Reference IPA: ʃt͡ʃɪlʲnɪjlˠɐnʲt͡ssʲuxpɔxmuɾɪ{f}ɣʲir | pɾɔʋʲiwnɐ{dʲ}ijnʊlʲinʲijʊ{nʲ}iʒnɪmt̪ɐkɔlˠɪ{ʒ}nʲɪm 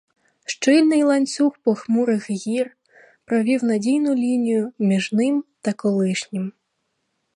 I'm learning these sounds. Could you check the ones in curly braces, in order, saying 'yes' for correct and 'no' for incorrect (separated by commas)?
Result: no, yes, no, no